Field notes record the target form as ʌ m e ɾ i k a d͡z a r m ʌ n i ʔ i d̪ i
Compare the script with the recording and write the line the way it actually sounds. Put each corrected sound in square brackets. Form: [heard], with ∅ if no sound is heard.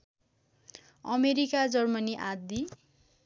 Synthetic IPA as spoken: ʌ m e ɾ i k a d͡z [ʌ] r m ʌ n i ʔ [a] d̪ i

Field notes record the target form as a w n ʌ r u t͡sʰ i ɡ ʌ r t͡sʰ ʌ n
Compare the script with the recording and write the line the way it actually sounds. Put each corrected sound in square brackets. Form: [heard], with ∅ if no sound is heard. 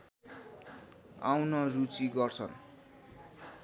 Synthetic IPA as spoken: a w n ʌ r u [t͡s] i ɡ ʌ r t͡sʰ ʌ n

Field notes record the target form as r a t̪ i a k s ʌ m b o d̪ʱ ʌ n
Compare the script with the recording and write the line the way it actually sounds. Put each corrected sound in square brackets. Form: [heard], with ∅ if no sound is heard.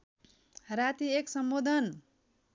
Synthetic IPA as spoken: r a t̪ i [e] k s ʌ m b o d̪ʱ ʌ n

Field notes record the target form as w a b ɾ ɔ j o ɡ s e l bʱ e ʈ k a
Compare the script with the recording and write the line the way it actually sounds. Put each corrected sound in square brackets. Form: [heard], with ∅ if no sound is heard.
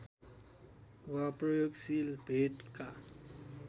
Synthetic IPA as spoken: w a [p] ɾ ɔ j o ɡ s [i] l bʱ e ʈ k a

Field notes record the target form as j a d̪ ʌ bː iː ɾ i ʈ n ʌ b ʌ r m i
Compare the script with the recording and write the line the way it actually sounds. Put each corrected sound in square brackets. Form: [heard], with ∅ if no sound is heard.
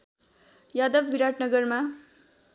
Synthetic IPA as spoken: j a d̪ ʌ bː [i] ɾ [a] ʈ n ʌ [ɡ] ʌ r m [a]

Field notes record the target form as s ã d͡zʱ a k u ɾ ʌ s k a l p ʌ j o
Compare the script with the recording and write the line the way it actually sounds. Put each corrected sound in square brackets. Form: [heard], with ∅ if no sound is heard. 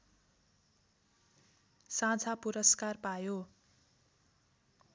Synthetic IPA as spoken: s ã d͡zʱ a [p] u ɾ ʌ s k a [r] p [a] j o

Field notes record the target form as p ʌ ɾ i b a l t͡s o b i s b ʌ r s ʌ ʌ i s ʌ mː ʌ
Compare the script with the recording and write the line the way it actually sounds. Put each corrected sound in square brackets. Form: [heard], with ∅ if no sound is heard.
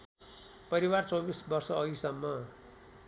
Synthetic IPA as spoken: p ʌ ɾ i [w] a [r] t͡s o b i s b ʌ r s ʌ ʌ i s ʌ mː ʌ

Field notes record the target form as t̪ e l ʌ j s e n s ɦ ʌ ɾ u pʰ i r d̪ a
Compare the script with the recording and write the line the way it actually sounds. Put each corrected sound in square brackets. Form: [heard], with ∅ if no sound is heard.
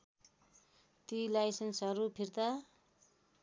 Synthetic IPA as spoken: t̪ [i] l [a] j s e n s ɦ ʌ ɾ u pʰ i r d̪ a

